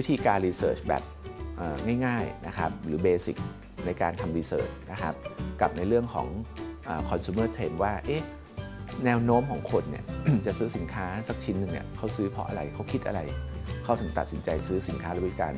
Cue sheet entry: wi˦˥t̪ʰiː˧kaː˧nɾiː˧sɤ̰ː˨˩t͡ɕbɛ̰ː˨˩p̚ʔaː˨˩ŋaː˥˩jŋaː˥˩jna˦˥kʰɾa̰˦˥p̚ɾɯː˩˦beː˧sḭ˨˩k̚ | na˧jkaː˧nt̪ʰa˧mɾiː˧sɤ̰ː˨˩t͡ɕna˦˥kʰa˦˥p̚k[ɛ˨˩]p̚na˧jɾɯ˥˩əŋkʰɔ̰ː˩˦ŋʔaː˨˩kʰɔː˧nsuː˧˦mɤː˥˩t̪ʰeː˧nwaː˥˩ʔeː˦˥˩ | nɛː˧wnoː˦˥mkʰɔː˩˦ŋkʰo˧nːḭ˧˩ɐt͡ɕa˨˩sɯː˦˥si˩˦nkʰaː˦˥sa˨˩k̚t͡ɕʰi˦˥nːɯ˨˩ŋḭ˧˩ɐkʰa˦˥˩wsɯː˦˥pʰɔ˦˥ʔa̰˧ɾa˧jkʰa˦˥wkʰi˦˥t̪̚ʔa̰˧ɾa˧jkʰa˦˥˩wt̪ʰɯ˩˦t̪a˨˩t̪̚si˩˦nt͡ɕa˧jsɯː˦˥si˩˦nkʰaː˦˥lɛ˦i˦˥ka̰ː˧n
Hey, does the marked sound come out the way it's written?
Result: no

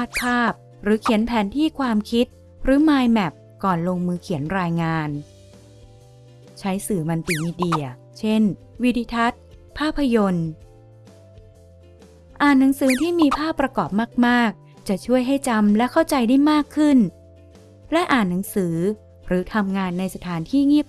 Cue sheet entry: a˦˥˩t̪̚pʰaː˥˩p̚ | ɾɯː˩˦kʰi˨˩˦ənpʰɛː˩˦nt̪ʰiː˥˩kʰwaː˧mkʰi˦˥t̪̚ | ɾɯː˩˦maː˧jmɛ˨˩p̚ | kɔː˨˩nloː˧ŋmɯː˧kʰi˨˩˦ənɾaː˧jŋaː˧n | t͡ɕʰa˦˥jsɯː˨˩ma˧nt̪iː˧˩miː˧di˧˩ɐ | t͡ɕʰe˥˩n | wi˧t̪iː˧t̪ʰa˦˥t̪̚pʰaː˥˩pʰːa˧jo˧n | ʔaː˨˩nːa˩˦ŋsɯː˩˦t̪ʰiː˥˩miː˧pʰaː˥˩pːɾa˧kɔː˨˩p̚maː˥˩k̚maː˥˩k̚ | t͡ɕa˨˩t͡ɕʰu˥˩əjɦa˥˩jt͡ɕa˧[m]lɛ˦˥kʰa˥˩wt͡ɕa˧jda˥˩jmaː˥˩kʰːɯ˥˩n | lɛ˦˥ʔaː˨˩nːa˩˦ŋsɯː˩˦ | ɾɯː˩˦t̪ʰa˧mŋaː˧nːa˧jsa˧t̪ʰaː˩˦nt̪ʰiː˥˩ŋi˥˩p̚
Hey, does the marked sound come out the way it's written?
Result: yes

